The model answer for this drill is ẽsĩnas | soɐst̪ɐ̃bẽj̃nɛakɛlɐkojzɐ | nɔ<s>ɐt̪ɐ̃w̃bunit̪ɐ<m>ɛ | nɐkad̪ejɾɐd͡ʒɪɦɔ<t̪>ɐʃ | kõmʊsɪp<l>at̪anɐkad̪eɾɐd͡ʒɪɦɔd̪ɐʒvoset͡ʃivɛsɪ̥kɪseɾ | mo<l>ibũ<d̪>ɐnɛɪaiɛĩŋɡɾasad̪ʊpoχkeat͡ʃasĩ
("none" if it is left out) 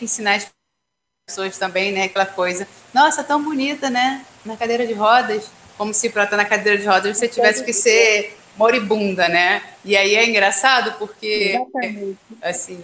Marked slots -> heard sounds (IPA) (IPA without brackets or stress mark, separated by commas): s, n, d̪, ɾ, ɾ, d̪